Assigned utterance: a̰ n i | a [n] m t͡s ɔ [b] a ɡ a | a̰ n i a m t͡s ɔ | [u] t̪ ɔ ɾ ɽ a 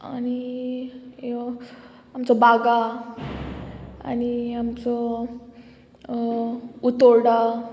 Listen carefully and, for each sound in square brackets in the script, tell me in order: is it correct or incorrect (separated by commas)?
incorrect, correct, correct